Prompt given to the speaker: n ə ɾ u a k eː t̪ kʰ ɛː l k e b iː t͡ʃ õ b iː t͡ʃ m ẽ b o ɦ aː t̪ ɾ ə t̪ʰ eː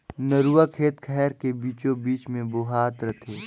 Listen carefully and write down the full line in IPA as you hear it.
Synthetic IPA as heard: n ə ɾ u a kʰ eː t̪ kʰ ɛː ɾ k e b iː t͡ʃ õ b iː t͡ʃ m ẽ b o ɦ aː t̪ ɾ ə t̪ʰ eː